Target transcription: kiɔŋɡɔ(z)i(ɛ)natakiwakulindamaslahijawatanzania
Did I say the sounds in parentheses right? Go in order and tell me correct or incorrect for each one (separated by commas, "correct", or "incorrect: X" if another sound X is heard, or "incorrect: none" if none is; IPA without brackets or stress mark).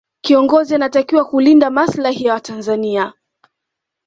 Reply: correct, incorrect: a